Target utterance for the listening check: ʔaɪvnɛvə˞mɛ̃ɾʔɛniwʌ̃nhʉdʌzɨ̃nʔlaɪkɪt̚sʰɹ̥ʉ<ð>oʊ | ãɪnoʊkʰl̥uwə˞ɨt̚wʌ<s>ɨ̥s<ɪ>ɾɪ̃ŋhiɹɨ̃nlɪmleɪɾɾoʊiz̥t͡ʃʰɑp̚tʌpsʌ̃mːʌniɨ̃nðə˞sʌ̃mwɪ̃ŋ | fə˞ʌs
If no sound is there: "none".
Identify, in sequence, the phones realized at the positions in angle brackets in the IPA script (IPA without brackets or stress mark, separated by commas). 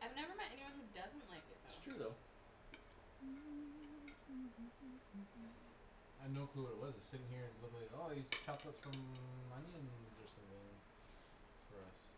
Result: ð, z, ɪ